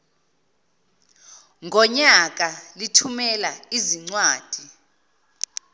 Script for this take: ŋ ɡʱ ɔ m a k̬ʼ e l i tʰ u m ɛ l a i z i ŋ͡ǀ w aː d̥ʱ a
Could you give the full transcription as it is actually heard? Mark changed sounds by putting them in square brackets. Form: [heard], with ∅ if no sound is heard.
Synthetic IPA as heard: ŋ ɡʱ ɔ [ɲ] a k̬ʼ [a] l i tʰ u m ɛ l a i z i ŋ͡ǀ w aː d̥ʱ [i]